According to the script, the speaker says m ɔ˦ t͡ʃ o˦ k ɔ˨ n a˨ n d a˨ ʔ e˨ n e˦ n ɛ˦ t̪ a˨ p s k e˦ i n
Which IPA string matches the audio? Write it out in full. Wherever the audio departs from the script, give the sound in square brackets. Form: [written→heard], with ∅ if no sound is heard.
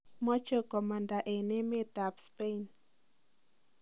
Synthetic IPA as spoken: m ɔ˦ t͡ʃ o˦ k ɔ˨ [n→m] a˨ n d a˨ ʔ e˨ n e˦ [n→m] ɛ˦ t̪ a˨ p s [k→p] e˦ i n

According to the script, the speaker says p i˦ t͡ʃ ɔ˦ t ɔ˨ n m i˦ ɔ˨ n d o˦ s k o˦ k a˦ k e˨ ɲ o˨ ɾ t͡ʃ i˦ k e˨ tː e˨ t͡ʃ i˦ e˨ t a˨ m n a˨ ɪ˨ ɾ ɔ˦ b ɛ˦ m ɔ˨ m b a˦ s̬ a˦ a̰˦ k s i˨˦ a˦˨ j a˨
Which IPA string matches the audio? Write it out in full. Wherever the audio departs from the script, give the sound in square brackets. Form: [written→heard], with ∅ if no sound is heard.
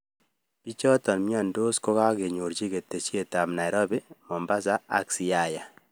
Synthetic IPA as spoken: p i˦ t͡ʃ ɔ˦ t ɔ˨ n m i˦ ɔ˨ n d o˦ s k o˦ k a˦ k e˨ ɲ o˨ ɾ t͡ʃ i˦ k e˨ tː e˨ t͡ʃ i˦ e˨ t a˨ m n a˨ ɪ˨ ɾ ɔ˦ b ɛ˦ m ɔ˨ m b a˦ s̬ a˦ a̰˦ k s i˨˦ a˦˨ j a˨

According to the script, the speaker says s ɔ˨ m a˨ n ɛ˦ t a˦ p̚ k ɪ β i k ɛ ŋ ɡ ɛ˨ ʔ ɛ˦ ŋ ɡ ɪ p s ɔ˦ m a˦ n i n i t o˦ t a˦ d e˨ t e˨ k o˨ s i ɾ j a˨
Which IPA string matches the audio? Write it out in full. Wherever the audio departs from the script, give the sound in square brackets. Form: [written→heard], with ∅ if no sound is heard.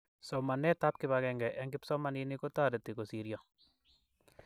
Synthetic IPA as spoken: s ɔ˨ m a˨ n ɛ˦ t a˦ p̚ k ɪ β [i→a] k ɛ ŋ ɡ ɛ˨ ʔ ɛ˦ ŋ ɡ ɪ p s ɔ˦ m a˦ n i n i [t→k] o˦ t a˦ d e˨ t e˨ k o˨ s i ɾ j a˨

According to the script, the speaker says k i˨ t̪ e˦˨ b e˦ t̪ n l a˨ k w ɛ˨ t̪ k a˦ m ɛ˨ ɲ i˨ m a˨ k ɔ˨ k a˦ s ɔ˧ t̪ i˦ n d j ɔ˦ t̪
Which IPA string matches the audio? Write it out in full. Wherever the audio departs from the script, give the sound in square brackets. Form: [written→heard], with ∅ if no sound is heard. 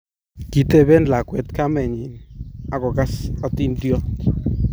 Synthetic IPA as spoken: k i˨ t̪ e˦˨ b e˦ [t̪→∅] n l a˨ k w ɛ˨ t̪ k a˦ m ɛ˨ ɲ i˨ [m→n] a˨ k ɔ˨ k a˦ s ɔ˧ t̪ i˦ n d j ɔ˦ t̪

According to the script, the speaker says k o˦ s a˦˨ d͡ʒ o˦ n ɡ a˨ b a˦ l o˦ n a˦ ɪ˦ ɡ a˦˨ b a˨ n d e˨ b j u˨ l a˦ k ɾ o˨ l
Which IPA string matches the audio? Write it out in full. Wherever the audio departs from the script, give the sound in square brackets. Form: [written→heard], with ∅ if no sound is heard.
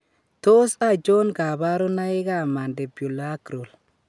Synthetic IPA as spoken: [k→t] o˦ s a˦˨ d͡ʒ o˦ n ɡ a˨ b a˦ [l→ɾ] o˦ n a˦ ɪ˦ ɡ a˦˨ [b→m] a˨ n d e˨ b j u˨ l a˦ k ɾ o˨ l

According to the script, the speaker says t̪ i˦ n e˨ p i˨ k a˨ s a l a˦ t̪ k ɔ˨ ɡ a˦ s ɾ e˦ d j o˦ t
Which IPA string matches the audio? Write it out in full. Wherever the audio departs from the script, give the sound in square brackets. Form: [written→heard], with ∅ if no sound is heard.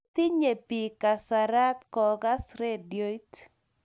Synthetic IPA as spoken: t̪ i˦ [n→ɲ] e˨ p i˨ k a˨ s a [l→ɾ] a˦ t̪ k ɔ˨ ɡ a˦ s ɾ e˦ d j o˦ t

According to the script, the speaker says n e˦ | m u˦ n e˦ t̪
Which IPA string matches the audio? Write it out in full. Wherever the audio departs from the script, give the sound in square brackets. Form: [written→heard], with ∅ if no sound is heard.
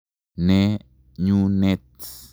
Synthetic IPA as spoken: n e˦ | [m→ɲ] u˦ n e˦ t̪

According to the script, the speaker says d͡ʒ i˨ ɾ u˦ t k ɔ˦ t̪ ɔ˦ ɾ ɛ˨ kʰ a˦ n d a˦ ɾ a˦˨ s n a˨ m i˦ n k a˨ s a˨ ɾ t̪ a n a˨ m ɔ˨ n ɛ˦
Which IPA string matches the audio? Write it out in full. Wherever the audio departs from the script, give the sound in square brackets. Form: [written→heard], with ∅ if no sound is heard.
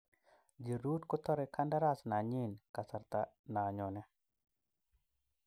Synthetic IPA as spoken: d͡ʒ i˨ ɾ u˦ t k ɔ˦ t̪ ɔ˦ ɾ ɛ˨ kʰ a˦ n d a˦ ɾ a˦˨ s n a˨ [m→ɲ] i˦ n k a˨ s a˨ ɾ t̪ a n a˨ [m→ɲ] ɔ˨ n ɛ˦

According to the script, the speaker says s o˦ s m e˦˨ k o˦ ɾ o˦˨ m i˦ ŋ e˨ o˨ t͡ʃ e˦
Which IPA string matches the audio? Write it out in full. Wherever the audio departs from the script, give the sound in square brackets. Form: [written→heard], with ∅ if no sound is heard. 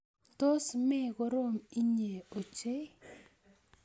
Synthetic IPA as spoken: [s→t] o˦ s m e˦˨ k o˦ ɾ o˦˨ m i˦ [ŋ→ɲ] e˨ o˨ t͡ʃ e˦

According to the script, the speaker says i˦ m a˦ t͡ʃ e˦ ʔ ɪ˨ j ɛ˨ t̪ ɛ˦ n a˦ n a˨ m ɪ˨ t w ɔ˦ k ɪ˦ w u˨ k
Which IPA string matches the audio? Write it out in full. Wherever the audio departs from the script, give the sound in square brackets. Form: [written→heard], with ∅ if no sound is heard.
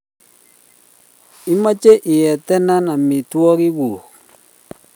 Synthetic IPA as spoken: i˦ m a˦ t͡ʃ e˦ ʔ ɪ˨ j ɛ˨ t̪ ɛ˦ n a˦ n a˨ m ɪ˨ t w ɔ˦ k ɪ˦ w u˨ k

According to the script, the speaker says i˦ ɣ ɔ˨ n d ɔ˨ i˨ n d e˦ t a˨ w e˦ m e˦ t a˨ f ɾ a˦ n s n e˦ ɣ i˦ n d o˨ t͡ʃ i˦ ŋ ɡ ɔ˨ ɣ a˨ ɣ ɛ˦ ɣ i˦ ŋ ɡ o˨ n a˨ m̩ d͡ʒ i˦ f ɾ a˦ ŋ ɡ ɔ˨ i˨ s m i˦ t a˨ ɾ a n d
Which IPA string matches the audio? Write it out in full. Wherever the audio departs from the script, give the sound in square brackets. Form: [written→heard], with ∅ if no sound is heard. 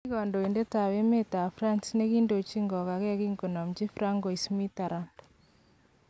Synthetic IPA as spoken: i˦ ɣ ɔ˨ n d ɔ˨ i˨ n d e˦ t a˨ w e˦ m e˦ t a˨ f ɾ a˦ n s n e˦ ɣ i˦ n d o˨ t͡ʃ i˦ ŋ ɡ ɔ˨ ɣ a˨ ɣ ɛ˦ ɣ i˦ ŋ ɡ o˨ n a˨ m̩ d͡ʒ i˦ f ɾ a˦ ŋ ɡ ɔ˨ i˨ s m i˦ t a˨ ɾ a n d

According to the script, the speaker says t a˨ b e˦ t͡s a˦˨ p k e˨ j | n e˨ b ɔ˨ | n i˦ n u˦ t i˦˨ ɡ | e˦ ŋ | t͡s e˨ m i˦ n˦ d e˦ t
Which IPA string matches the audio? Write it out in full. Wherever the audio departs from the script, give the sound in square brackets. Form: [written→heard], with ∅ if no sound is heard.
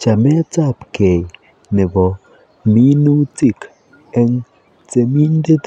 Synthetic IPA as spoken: [t→t͡ʃ] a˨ [b→m] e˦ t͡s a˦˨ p k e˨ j | n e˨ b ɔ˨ | [n→m] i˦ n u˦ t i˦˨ [ɡ→k] | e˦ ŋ | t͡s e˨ m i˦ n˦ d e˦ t

